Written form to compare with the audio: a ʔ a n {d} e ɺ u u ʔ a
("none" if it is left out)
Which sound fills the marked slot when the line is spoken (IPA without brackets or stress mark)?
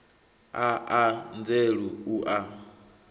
d͡z